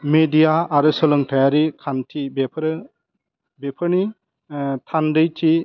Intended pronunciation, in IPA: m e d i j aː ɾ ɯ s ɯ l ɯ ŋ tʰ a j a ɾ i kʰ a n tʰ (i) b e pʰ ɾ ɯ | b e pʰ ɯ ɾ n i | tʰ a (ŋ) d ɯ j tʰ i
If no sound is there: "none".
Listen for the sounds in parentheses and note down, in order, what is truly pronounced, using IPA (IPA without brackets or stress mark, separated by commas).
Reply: i, n